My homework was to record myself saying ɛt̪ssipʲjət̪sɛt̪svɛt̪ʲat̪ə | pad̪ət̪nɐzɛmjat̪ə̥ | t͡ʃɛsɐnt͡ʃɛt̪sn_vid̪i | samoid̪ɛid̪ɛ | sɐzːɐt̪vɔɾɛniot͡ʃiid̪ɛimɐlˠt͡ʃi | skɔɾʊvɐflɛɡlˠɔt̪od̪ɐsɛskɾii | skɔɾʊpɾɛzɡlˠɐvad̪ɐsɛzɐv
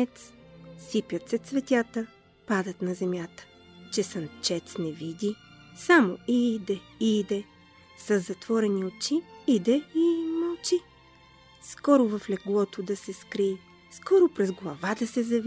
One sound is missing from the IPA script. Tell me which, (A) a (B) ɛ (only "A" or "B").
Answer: B